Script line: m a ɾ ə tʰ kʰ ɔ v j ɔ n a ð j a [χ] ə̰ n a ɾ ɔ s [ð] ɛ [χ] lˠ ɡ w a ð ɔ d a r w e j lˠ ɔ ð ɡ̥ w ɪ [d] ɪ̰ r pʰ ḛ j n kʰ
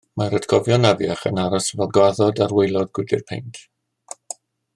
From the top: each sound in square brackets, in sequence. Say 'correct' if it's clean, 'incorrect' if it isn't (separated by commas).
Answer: correct, incorrect, incorrect, correct